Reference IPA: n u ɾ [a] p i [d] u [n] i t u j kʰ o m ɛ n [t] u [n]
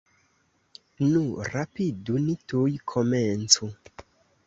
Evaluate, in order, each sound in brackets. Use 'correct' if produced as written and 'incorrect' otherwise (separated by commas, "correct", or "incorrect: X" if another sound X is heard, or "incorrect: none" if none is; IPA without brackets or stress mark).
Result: correct, correct, correct, incorrect: t͡s, incorrect: none